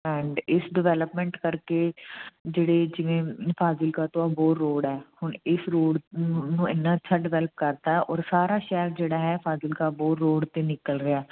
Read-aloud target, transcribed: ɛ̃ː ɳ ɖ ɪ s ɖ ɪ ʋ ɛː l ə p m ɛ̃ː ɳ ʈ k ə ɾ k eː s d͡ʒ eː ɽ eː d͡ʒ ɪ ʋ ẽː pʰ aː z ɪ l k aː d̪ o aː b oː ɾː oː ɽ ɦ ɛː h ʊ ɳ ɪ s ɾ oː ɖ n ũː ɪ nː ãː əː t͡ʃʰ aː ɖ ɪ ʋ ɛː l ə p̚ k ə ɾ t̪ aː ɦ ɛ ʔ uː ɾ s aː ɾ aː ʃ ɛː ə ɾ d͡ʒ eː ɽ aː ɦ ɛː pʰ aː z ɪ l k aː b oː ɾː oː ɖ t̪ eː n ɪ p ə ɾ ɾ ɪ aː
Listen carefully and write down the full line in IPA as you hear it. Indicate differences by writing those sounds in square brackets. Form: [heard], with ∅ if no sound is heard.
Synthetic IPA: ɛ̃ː ɳ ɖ ɪ s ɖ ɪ ʋ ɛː l ə p m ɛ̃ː ɳ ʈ k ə ɾ k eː [∅] d͡ʒ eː ɽ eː d͡ʒ ɪ ʋ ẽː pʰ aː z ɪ l k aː [t̪] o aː b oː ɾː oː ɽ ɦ ɛː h ʊ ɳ ɪ s ɾ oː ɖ n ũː ɪ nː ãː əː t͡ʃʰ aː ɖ ɪ ʋ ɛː l ə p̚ k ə ɾ t̪ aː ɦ ɛ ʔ [ɔː] ɾ s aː ɾ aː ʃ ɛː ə ɾ d͡ʒ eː ɽ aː ɦ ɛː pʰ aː z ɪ l k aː b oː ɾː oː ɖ t̪ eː n ɪ [k] ə [l] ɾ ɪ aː